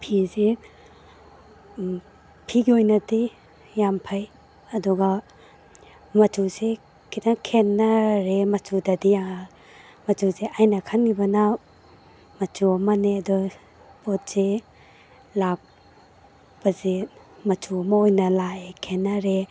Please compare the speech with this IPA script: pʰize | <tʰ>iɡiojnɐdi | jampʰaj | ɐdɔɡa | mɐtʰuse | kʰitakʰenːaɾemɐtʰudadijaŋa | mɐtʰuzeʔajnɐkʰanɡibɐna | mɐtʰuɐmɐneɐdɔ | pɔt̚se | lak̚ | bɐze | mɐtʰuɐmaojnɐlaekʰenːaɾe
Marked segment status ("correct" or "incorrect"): incorrect